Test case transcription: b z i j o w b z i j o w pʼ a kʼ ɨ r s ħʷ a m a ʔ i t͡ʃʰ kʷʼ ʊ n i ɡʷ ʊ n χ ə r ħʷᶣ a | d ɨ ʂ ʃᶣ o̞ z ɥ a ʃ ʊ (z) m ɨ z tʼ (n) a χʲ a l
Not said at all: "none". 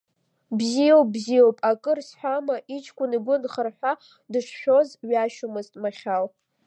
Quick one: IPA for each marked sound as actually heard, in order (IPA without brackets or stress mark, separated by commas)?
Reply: none, m